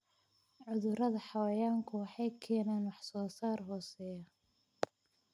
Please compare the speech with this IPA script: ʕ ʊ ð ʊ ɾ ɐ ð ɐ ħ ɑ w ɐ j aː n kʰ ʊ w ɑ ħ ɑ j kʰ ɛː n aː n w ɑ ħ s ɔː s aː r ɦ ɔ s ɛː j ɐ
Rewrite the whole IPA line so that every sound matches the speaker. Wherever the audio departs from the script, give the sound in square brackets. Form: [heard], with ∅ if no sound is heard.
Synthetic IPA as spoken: ʕ ʊ ð ʊ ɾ ɐ ð ɐ ħ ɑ w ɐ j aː [ŋ] kʰ ʊ w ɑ ħ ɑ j kʰ ɛː n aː n w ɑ ħ s ɔː s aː r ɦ [ɔː] s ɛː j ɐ

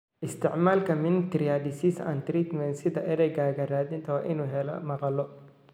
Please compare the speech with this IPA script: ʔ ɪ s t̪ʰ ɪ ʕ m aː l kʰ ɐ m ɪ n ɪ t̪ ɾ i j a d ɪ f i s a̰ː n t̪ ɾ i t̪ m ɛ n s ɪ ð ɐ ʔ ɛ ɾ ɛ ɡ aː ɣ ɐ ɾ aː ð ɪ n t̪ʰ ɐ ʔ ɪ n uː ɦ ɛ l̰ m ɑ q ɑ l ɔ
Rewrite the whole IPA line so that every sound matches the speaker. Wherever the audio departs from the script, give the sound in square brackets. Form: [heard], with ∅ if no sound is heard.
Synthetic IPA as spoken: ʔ ɪ s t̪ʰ ɪ ʕ m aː l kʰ ɐ m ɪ n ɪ t̪ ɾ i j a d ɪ [s] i s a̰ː n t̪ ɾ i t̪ m ɛ n s ɪ ð ɐ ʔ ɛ ɾ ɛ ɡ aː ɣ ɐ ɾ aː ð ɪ n t̪ʰ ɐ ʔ ɪ n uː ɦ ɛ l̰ m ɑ q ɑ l ɔ

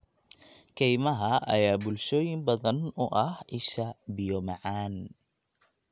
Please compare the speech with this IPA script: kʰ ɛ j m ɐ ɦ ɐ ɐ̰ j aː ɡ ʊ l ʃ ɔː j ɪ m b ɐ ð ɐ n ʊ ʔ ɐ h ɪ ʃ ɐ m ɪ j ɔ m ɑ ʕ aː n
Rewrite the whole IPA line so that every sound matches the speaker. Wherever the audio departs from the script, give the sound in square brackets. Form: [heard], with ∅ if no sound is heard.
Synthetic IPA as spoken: kʰ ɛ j m ɐ ɦ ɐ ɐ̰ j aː [b] ʊ l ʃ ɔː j ɪ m b ɐ ð ɐ n ʊ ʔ ɐ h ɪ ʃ ɐ [b] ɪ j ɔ m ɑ ʕ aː n

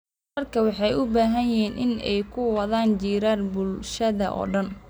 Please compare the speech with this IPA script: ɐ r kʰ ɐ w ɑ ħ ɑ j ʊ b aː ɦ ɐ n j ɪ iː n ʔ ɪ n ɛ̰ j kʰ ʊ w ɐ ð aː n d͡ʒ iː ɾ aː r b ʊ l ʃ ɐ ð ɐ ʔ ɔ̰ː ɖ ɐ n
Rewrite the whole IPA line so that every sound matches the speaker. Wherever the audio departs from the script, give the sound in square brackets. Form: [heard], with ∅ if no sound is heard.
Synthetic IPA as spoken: ɐ r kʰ ɐ w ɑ ħ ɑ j ʊ b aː ɦ ɐ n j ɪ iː n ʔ ɪ n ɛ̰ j kʰ ʊ w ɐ ð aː n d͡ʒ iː ɾ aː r b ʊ l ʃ ɐ ð ɐ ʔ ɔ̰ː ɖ ɐ n

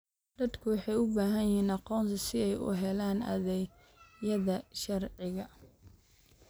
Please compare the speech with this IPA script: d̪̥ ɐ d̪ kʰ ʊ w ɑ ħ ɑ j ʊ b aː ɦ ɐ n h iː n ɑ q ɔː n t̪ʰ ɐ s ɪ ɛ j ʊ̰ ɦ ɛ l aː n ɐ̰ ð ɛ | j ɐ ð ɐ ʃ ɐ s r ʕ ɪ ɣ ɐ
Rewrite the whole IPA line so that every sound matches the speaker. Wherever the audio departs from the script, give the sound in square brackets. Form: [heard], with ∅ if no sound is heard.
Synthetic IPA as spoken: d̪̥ ɐ d̪ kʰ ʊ w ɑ ħ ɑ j ʊ b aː ɦ ɐ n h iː n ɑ q ɔː n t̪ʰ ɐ s ɪ ɛ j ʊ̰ ɦ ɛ l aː n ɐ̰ ð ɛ | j ɐ ð ɐ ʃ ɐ [∅] r ʕ ɪ ɣ ɐ

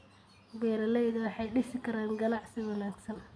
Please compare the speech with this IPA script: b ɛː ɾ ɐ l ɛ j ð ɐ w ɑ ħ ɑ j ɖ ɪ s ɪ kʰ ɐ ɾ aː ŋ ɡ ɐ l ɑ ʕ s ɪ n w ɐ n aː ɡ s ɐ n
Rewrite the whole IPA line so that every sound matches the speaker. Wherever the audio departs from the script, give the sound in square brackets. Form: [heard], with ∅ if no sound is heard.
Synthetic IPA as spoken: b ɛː ɾ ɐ l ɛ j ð ɐ w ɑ ħ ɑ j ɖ ɪ s ɪ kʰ ɐ ɾ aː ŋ ɡ ɐ l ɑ ʕ s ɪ [∅] w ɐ n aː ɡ s ɐ n

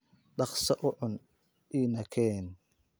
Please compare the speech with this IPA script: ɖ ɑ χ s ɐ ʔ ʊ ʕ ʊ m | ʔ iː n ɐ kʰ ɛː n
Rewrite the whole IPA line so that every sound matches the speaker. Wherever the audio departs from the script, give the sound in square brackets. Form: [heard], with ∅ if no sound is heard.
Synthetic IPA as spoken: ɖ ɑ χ s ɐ ʔ ʊ ʕ ʊ [n] | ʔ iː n ɐ kʰ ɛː n

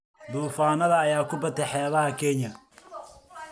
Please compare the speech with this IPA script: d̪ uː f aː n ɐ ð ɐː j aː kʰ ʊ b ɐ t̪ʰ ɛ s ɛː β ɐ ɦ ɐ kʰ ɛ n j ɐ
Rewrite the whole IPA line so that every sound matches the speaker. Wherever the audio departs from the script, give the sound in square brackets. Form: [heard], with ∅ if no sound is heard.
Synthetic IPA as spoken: d̪ uː f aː n ɐ ð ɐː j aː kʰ ʊ b ɐ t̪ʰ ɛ [ħ] ɛː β ɐ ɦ ɐ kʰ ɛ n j ɐ

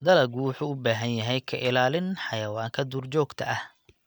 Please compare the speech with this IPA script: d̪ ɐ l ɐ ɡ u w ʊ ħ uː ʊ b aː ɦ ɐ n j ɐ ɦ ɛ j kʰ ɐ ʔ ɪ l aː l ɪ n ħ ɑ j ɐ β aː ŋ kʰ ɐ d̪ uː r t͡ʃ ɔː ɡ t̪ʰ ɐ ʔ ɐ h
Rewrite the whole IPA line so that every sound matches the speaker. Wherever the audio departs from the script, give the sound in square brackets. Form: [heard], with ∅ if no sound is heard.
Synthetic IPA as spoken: d̪ ɐ l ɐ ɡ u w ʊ ħ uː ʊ b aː ɦ ɐ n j ɐ ɦ ɛ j kʰ ɐ ʔ ɪ l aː l ɪ n ħ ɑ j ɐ [w] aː ŋ kʰ ɐ d̪ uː r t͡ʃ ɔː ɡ t̪ʰ ɐ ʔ ɐ h

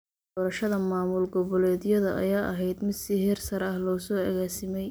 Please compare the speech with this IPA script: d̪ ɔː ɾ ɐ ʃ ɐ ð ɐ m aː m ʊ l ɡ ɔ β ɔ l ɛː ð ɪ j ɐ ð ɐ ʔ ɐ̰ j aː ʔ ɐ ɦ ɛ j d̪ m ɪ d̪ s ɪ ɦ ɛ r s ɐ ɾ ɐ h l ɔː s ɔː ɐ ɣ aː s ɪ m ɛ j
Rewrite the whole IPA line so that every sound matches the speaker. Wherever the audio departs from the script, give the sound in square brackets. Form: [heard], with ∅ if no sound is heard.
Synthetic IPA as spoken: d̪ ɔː ɾ ɐ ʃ ɐ ð ɐ m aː m ʊ l ɡ ɔ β ɔ l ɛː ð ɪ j ɐ ð ɐ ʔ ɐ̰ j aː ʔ ɐ ɦ ɛ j d̪ m ɪ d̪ s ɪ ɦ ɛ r s ɐ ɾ ɐ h l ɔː s ɔː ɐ ɣ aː s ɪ m ɛ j

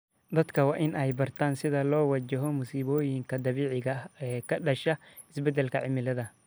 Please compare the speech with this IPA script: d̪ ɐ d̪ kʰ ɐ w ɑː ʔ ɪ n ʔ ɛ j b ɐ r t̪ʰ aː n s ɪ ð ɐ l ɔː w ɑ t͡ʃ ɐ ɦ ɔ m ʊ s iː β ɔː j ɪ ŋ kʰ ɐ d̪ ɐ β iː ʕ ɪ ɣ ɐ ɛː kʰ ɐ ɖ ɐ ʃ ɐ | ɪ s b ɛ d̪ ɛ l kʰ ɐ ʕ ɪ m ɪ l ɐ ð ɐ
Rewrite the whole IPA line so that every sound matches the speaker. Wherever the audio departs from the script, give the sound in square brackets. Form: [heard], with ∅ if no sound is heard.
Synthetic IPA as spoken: d̪ ɐ d̪ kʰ ɐ w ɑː ʔ ɪ n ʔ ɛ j b ɐ r t̪ʰ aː n s ɪ ð ɐ l ɔː w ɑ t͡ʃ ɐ ɦ ɔ m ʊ s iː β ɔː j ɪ ŋ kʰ ɐ d̪ ɐ β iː ʕ ɪ ɣ ɐ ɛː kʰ ɐ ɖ ɐ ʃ ɐ | ɪ s b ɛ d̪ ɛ l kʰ ɐ ʕ ɪ m ɪ l ɐ ð ɐ

